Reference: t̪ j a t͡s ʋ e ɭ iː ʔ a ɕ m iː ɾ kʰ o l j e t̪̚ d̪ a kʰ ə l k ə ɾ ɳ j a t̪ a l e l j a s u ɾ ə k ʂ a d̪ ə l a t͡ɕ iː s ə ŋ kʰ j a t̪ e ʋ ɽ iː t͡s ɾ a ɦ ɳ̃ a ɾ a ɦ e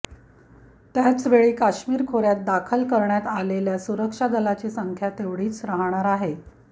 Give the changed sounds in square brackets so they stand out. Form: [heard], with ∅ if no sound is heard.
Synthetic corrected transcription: t̪ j a t͡s ʋ e ɭ iː [k] a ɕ m iː ɾ kʰ o [ɾ] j [a] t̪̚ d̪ a kʰ ə l k ə ɾ ɳ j a t̪ a l e l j a s u ɾ ə k ʂ a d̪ ə l a t͡ɕ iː s ə ŋ kʰ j a t̪ e ʋ ɽ iː t͡s ɾ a ɦ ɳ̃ a ɾ a ɦ e